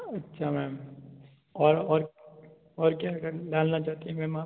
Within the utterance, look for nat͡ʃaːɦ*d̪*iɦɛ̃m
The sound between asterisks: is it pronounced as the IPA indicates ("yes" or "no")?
no